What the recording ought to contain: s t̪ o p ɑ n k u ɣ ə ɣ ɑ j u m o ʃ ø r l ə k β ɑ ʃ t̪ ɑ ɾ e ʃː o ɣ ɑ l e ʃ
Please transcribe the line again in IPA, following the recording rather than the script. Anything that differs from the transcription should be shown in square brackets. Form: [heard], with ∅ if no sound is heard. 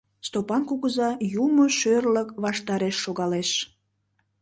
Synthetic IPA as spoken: s t̪ o p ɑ n k u ɣ ə [z] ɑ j u m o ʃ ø r l ə k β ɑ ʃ t̪ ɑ ɾ e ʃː o ɣ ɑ l e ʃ